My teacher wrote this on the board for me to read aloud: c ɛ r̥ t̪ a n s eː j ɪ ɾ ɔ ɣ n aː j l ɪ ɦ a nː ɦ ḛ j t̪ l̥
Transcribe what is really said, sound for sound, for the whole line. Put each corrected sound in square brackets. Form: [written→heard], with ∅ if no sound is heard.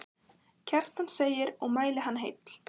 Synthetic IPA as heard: [c→cʰ] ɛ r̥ t̪ a n s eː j ɪ ɾ ɔ ɣ [n→m] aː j l ɪ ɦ a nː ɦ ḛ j t̪ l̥